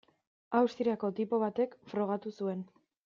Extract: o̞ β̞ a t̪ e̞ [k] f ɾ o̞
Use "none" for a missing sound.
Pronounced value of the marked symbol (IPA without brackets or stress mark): k